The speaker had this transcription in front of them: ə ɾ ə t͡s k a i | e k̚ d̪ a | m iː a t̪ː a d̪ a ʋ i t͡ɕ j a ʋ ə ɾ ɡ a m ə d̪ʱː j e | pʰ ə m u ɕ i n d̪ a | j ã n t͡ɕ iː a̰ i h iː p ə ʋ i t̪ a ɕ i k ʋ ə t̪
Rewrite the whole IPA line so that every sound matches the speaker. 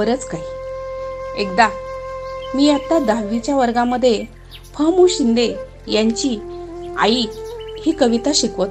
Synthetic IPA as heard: ə ɾ ə t͡s k a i | e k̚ d̪ a | m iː a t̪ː a d̪ a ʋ i t͡ɕ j a ʋ ə ɾ ɡ a m ə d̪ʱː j e | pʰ ə m u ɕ i n d̪ e | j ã ɲ t͡ɕ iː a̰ i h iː k ə ʋ i t̪ a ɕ i k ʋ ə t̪